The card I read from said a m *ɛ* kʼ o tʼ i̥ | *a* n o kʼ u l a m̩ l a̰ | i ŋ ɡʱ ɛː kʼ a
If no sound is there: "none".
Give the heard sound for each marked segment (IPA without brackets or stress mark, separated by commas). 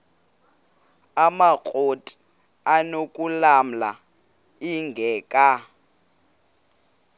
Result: a, a